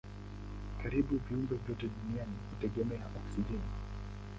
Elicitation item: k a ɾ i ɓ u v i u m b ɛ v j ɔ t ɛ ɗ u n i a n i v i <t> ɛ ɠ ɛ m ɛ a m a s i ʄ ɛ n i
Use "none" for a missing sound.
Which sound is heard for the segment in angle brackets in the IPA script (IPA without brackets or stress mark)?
t